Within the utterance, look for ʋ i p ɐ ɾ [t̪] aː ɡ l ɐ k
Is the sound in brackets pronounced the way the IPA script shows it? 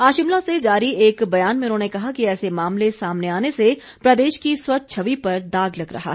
no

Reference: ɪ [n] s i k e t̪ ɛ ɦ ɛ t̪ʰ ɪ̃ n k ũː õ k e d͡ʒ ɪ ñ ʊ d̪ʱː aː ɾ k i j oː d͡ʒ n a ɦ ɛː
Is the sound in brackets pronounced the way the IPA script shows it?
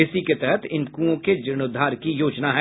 no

